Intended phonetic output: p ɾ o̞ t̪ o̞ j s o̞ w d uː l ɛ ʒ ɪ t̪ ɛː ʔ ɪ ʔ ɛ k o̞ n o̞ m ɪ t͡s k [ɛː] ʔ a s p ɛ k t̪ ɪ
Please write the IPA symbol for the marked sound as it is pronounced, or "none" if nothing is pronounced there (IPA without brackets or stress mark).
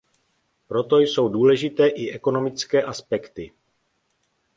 ɛː